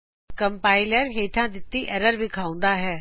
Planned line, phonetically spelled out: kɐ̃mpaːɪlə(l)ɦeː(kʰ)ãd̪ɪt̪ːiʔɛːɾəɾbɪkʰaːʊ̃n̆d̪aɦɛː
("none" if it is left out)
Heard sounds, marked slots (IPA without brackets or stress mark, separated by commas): ɾ, ʈʰ